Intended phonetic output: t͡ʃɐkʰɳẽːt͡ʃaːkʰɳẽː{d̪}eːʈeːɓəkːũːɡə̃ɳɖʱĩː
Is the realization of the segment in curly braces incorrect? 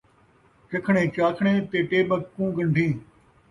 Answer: yes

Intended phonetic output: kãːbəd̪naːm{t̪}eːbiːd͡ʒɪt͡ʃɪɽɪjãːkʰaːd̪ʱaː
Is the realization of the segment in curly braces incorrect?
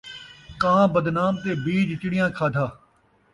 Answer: no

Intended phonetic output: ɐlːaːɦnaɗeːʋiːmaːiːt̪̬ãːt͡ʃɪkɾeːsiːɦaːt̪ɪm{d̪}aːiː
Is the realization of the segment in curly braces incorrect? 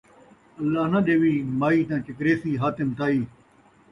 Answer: yes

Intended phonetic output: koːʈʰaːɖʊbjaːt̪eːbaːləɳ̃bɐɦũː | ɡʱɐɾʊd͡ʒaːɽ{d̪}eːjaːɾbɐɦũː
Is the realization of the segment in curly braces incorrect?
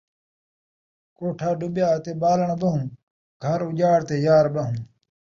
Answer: yes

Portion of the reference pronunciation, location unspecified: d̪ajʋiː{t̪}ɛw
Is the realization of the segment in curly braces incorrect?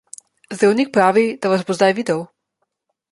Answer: yes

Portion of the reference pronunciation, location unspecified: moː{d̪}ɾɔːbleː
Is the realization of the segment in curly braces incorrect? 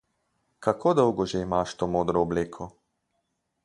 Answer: no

